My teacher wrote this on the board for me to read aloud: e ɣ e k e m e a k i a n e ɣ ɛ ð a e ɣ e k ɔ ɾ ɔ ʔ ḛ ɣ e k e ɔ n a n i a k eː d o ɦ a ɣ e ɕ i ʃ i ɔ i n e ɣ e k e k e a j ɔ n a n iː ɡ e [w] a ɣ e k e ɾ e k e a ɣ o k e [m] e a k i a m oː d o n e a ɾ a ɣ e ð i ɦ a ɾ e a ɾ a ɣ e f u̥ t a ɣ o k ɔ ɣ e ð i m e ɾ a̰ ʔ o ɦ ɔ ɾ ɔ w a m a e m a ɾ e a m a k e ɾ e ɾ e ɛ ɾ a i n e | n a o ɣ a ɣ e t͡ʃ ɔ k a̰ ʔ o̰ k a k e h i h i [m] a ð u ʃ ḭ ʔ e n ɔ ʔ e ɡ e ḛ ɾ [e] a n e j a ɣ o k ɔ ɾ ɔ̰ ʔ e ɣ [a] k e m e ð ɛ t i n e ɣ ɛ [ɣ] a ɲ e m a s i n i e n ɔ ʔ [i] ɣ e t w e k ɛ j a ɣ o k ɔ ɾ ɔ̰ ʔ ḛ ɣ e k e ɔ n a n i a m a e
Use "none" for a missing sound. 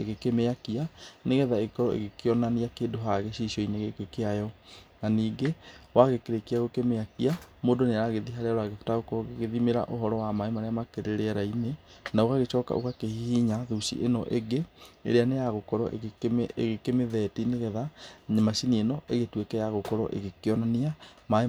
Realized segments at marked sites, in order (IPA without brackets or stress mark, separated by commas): w, m, ɲ, e, e, ð, e